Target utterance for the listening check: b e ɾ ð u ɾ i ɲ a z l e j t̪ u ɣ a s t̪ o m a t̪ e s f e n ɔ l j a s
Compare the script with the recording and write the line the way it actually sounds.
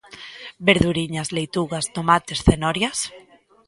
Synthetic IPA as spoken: b e ɾ ð u ɾ i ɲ a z l e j t̪ u ɣ a s t̪ o m a t̪ e s θ e n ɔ ɾ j a s